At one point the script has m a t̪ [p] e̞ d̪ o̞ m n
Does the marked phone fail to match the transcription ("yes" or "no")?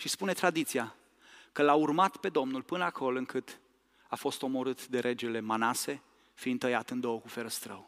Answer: no